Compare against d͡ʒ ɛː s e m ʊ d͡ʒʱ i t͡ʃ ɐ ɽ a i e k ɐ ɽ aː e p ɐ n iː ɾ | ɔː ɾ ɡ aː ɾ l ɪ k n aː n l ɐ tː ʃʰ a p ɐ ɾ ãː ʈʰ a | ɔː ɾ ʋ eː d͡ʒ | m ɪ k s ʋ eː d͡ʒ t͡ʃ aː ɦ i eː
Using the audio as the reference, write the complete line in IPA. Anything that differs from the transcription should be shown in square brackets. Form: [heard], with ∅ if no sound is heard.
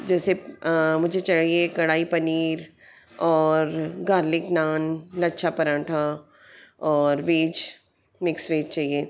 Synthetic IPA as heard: d͡ʒ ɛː s e m ʊ d͡ʒʱ [e] t͡ʃ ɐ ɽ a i e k ɐ ɽ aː [i] p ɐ n iː ɾ | ɔː ɾ ɡ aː ɾ l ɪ k n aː n l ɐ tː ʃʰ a p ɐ ɾ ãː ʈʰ a | ɔː ɾ ʋ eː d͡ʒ | m ɪ k s ʋ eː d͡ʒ t͡ʃ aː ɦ i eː